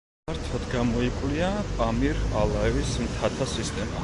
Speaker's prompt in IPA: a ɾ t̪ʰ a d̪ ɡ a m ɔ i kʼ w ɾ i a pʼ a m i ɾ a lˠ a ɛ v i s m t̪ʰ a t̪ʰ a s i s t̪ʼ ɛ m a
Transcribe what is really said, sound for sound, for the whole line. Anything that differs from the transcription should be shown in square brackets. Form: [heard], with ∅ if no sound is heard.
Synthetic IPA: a ɾ t̪ʰ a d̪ ɡ a m ɔ i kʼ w [l] i a pʼ a m i ɾ a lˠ a ɛ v i s m t̪ʰ a t̪ʰ a s i s t̪ʼ ɛ m a